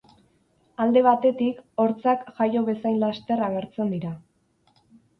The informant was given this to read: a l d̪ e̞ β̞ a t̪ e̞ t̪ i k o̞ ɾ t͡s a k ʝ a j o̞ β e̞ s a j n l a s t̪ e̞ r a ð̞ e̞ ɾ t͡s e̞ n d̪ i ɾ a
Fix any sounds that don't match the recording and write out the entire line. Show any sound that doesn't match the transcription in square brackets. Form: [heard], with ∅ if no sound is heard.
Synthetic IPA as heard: a l d̪ e̞ β̞ a t̪ e̞ t̪ i k o̞ ɾ t͡s a k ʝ a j o̞ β e̞ s a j n l a s t̪ e̞ r a [ɣ̞] e̞ ɾ t͡s e̞ n d̪ i ɾ a